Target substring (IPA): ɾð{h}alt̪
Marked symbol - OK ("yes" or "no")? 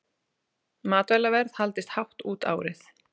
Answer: yes